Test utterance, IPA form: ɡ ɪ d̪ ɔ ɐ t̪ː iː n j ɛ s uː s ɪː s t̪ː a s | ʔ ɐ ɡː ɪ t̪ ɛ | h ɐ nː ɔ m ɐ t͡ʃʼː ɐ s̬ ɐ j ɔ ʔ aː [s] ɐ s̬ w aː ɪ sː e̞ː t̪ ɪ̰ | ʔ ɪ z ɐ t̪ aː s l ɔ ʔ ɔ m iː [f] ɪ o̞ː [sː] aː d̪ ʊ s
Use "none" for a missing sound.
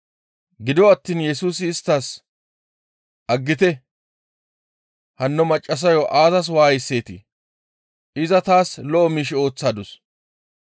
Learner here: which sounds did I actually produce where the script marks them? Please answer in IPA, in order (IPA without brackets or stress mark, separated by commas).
z, ʃ, t͡sː